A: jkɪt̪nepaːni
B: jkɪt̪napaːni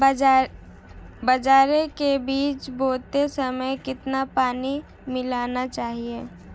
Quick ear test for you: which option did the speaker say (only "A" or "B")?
B